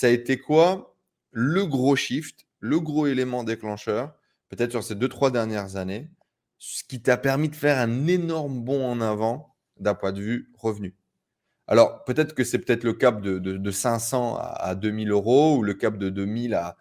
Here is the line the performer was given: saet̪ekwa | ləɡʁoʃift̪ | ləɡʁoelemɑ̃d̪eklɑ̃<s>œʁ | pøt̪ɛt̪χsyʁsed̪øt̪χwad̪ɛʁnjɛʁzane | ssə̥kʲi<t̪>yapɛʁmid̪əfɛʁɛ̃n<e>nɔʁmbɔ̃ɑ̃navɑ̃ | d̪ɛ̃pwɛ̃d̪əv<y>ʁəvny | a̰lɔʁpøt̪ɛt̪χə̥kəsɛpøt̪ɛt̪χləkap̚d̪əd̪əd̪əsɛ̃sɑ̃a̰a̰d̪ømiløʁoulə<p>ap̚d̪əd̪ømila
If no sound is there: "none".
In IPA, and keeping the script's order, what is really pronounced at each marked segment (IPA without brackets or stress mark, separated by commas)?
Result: ʃ, t̪, e, y, k